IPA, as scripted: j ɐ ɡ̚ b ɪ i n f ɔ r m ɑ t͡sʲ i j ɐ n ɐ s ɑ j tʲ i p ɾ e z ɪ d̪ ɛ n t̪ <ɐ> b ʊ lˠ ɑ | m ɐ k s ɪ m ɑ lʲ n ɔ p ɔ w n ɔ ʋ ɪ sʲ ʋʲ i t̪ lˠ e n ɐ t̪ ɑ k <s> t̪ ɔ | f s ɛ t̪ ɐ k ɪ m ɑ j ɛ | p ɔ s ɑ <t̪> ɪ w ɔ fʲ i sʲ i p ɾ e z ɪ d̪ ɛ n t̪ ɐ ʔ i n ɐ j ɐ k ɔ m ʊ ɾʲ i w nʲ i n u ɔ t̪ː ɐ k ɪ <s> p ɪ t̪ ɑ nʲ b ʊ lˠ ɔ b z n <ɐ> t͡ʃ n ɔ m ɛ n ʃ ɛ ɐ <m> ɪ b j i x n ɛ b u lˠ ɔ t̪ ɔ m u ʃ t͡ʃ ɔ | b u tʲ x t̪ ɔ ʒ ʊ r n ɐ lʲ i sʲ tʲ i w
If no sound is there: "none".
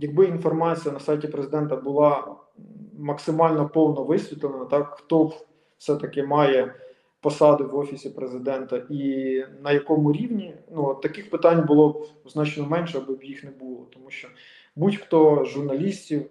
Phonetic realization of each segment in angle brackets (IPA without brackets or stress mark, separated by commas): ɐ, x, d̪, x, ɑ, b